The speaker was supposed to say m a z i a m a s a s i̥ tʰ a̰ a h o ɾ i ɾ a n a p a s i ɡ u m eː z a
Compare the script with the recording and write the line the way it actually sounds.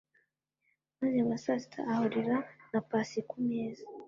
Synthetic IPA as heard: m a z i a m a s a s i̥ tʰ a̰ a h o ɾ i ɾ a n a p a s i k u m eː z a

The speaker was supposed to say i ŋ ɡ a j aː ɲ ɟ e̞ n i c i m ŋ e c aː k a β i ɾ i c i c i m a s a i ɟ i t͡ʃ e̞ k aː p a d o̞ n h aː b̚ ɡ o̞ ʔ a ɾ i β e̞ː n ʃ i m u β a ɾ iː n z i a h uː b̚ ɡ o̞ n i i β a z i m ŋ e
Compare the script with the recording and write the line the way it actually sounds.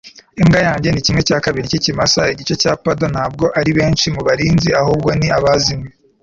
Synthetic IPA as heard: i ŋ ɡ a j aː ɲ ɟ e̞ n i c i m ŋ e c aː k a β i ɾ i c i c i m a s a i ɟ i t͡ʃ e̞ c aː p a d o̞ n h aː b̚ ɡ o̞ ʔ a ɾ i β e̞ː n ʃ i m u β a ɾ iː n z i a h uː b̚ ɡ o̞ n i a β a z i m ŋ e

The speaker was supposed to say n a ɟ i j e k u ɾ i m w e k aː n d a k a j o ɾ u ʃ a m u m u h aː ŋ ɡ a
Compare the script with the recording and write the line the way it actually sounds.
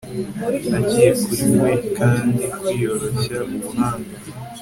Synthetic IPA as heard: n a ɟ i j e k u ɾ i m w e k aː n d i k i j o ɾ o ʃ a m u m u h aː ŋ ɡ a

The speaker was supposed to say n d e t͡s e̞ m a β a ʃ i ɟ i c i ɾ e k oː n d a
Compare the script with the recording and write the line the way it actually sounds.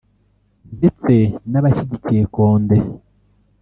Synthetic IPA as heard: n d e t͡s e̞ n a β a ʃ i ɟ i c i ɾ e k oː n d e

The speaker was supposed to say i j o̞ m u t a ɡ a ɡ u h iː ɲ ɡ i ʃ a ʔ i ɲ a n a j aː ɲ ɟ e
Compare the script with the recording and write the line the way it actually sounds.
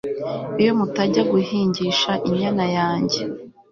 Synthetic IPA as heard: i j o̞ m u t a ɟ a ɡ u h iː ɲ ɟ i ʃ a ʔ i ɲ a n a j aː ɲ ɟ e

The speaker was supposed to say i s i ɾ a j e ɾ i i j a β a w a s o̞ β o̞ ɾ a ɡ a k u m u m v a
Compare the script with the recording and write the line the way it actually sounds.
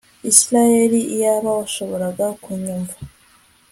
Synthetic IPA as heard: i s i ɾ a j e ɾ i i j a β a w a ʃ o̞ β o̞ ɾ a ɡ a k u ɲ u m v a

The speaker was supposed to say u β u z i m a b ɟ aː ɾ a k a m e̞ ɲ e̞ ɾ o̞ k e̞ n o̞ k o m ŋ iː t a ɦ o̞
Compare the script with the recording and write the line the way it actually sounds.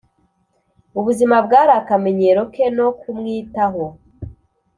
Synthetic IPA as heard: u β u z i m a b ɡ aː ɾ a k a m e̞ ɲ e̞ ɾ o̞ k e̞ n o̞ k u m ŋ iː t a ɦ o̞

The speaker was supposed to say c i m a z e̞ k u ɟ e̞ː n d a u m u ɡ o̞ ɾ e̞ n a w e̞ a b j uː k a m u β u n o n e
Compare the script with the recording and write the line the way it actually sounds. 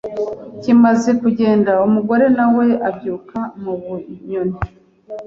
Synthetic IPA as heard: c i m a z e̞ k u ɟ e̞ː n d a u m u ɡ o̞ ɾ e̞ n a w e̞ a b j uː k a m u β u ɲ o n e

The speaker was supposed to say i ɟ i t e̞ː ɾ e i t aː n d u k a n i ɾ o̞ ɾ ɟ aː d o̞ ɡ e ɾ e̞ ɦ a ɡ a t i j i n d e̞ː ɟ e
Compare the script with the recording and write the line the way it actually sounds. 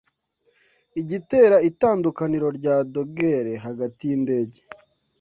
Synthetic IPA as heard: i ɟ i t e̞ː ɾ a i t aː n d u k a n i ɾ o̞ ɾ ɟ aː d o̞ ɡ e ɾ e̞ ɦ a ɡ a t i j i n d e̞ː ɟ e

